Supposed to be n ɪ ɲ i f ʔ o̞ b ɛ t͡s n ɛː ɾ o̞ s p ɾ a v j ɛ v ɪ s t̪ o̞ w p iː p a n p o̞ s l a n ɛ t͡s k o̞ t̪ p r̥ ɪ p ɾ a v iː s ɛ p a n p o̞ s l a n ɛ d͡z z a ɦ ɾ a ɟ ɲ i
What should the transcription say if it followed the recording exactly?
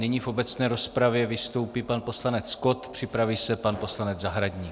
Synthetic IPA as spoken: n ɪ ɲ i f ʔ o̞ b ɛ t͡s n ɛː ɾ o̞ s p ɾ a v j ɛ v ɪ s t̪ o̞ w p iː p a n p o̞ s l a n ɛ t͡s k o̞ t̪ p r̥ ɪ p ɾ a v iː s ɛ p a n p o̞ s l a n ɛ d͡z z a ɦ ɾ a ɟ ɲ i